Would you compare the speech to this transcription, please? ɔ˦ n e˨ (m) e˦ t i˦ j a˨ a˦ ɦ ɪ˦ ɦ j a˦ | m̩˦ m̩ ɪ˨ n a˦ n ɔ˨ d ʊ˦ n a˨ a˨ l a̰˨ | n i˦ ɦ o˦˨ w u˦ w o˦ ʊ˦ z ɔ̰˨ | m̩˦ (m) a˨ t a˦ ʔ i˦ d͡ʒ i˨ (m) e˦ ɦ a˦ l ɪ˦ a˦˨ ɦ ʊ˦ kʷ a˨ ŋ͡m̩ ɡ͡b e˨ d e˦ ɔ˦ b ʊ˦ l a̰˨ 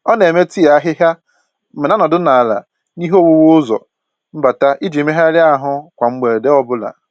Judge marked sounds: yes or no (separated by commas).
yes, no, yes